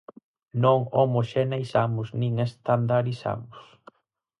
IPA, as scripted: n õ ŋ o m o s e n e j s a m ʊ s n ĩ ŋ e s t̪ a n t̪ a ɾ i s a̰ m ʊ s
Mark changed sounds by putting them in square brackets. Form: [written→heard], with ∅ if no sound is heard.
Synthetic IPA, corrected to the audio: n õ ŋ o m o [s→ʃ] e n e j s a m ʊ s n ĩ ŋ e s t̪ a n [t̪→d̪] a ɾ i s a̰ m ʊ s